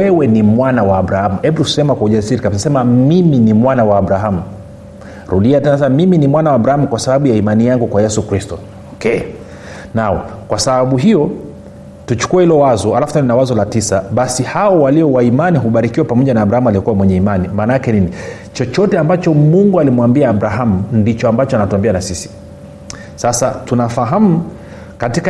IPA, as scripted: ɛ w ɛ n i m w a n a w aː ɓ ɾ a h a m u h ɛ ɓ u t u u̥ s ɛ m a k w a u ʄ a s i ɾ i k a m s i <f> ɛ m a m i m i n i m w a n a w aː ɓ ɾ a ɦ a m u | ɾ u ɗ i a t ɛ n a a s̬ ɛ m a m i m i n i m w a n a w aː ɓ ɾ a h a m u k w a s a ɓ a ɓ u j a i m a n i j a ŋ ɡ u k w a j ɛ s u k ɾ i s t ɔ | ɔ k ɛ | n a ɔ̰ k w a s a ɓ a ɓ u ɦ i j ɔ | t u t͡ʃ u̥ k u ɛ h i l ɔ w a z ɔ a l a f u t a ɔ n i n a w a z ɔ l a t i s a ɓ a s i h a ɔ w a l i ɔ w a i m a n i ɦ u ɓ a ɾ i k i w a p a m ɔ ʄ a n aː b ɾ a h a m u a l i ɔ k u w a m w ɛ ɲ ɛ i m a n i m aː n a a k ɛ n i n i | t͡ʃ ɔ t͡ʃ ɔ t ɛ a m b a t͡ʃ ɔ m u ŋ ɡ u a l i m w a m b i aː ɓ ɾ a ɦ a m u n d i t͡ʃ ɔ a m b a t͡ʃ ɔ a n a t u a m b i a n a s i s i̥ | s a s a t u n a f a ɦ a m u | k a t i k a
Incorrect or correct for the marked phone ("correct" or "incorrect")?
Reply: incorrect